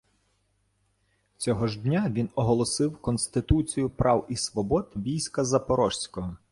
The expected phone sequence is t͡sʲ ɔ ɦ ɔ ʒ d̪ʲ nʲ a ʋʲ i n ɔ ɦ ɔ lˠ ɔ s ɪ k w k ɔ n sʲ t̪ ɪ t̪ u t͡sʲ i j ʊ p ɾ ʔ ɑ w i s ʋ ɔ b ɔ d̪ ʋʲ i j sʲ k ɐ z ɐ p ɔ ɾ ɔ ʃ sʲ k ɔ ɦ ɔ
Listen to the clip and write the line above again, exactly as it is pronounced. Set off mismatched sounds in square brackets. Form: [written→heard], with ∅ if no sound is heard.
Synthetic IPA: t͡sʲ ɔ ɦ ɔ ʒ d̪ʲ nʲ a ʋʲ i n ɔ ɦ ɔ lˠ ɔ s ɪ [k→∅] w k ɔ n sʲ t̪ ɪ t̪ u t͡sʲ i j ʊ p ɾ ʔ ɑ w i s ʋ ɔ b ɔ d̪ ʋʲ i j sʲ k ɐ z ɐ p ɔ ɾ ɔ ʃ sʲ k ɔ ɦ ɔ